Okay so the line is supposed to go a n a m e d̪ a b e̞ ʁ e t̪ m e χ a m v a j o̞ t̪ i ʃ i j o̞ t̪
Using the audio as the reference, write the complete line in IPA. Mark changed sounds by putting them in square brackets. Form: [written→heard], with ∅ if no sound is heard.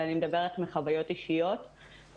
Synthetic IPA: a n [a→i] m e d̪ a b e̞ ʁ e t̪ m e χ a [m→∅] v a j o̞ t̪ i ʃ i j o̞ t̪